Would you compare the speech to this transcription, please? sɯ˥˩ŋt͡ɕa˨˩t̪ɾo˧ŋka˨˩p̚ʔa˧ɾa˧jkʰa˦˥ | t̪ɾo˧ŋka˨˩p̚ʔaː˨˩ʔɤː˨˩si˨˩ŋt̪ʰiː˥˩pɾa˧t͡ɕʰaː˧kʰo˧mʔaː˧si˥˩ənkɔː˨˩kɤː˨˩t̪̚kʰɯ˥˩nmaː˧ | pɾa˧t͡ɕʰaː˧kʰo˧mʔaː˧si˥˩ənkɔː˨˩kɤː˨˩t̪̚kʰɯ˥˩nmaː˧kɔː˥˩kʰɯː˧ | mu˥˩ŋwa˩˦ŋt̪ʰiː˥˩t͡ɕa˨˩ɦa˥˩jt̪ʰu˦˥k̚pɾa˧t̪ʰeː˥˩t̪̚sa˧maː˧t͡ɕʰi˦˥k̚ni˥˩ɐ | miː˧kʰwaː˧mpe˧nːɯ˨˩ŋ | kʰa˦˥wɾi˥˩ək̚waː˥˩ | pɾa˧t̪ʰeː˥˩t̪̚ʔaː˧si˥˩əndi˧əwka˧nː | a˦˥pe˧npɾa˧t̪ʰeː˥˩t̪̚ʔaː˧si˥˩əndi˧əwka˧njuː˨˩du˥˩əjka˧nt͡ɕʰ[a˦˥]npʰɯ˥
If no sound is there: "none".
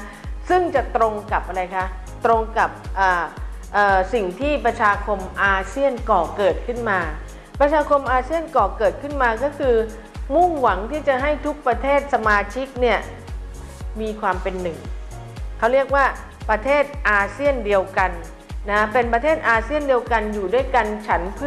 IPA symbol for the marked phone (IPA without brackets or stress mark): a˦˥